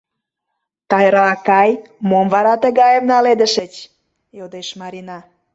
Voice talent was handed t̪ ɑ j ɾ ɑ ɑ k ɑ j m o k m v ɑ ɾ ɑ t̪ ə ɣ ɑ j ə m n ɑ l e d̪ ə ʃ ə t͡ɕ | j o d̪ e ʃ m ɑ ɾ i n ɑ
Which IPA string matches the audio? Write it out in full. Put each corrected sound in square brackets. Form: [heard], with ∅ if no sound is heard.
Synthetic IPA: t̪ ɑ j ɾ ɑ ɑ k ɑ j m o [∅] m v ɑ ɾ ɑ t̪ ə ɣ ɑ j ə m n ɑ l e d̪ ə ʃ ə t͡ɕ | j o d̪ e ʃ m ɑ ɾ i n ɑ